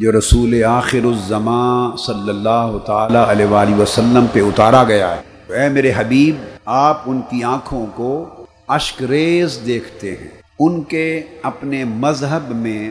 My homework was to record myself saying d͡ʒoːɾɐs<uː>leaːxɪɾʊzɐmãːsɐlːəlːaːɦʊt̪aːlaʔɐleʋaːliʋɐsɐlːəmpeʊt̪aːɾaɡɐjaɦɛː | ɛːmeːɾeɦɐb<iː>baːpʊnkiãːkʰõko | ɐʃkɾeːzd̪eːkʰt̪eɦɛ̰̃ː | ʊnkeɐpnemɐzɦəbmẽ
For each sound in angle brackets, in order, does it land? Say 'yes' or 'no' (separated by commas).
yes, yes